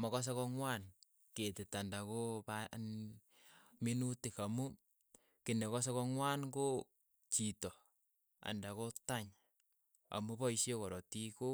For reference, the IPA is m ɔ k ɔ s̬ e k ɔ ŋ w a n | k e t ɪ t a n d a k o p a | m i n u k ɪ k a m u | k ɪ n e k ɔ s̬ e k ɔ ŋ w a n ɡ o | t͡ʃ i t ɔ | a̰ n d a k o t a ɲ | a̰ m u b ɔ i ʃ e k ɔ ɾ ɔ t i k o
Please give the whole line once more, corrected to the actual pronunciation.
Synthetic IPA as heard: m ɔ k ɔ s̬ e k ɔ ŋ w a n | k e t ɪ t a n d a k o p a | m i n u t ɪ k a m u | k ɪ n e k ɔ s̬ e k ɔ ŋ w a n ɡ o | t͡ʃ i t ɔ | a̰ n d a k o t a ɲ | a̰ m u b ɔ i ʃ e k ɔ ɾ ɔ t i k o